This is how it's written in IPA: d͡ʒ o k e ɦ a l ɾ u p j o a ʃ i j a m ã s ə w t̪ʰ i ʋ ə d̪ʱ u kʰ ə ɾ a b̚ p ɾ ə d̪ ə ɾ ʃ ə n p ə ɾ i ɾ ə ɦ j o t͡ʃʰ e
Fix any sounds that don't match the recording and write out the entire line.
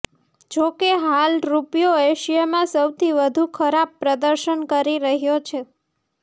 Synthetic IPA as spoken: d͡ʒ o k e ɦ a l ɾ u p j o e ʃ i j a m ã s ə w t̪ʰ i ʋ ə d̪ʱ u kʰ ə ɾ a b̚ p ɾ ə d̪ ə ɾ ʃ ə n k ə ɾ i ɾ ə ɦ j o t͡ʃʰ e